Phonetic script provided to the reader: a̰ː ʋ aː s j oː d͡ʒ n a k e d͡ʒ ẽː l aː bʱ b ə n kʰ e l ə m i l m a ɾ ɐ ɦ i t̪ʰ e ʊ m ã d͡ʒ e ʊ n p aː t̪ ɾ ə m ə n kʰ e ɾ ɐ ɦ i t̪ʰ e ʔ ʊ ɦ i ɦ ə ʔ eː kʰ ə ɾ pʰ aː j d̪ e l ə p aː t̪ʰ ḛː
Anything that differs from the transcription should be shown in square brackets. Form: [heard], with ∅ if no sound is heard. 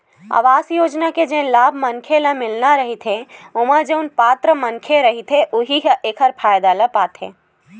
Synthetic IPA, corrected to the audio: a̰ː ʋ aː s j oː d͡ʒ n a k e d͡ʒ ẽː l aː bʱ [m] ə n kʰ e l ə m [ɪ] l [n] a ɾ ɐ ɦ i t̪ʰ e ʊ m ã d͡ʒ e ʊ n p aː t̪ ɾ ə m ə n kʰ e ɾ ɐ ɦ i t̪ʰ e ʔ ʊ ɦ i ɦ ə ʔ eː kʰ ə ɾ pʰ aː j d̪ [a] l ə p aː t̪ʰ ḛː